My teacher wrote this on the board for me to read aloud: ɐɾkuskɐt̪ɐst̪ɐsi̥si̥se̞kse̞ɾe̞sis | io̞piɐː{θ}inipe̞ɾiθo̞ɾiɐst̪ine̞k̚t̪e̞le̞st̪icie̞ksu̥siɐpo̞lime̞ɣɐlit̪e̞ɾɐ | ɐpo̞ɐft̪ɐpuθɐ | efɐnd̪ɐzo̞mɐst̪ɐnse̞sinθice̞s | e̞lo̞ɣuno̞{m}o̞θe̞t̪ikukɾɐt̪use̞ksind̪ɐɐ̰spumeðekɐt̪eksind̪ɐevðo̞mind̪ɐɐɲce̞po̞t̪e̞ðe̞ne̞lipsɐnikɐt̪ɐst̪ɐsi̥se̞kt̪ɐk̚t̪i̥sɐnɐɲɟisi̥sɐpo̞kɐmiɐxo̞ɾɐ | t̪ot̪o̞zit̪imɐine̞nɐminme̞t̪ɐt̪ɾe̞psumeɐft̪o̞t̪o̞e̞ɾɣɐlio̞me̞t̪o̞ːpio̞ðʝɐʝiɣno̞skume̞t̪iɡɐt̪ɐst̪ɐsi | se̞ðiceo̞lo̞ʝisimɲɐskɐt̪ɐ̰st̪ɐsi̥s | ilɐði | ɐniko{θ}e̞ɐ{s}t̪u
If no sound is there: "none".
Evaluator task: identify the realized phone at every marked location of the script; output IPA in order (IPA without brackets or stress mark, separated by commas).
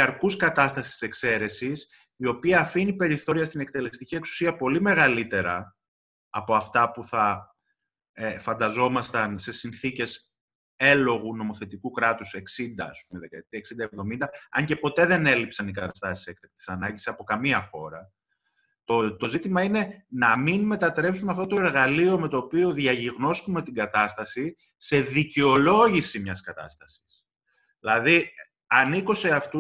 f, m, s, f